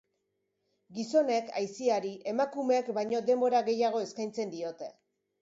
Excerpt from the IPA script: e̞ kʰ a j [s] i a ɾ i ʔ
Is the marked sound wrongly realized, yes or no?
no